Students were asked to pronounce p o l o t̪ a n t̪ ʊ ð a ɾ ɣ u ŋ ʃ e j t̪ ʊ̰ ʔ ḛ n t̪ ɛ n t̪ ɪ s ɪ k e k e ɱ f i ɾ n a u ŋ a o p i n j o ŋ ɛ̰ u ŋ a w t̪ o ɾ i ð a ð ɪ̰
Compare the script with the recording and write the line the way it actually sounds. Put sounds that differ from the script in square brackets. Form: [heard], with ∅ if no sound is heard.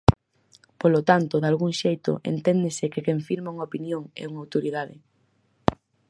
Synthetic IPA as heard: p o l o t̪ a n t̪ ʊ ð a [l] ɣ u ŋ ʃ e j t̪ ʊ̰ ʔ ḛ n t̪ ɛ n [d̪] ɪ s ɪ k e k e ɱ f i ɾ [m] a u ŋ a o p i n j o ŋ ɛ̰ u ŋ a w t̪ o ɾ i ð a ð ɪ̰